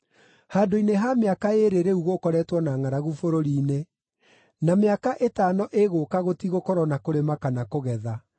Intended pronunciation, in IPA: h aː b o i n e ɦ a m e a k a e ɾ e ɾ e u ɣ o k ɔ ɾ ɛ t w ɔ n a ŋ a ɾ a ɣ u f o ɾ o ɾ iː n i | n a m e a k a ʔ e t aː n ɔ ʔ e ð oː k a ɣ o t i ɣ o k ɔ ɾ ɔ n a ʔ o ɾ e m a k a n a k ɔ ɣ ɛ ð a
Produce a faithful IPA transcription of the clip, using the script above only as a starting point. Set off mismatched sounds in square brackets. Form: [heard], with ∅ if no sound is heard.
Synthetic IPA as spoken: h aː [d] o i n e ɦ a m e a k a e ɾ e ɾ e u ɣ o k ɔ ɾ ɛ t w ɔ n a ŋ a ɾ a ɣ u f o ɾ o ɾ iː n [e] | n a m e a k a ʔ e t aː n ɔ ʔ e [ɣ] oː k a ɣ o t i ɣ o k ɔ ɾ ɔ n a [k] o ɾ e m a k a n a k [o] ɣ ɛ ð a